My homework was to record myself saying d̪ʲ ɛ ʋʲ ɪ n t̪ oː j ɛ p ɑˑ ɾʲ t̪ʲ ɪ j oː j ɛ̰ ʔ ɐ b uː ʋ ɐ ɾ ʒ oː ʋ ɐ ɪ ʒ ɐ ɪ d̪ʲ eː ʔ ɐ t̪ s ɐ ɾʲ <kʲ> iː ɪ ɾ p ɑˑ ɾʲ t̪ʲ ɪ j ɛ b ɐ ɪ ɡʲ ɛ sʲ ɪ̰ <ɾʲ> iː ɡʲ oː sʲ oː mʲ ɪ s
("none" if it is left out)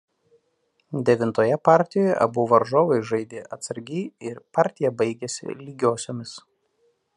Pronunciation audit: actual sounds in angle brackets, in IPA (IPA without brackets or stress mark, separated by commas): ɡʲ, lʲ